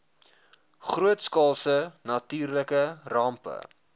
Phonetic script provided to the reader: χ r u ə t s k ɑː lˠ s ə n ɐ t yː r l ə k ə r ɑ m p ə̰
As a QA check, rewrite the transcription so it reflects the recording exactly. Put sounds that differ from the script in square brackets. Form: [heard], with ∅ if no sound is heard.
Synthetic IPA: χ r u ə t s k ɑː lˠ s ə n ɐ t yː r l ə k ə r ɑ m p ə̰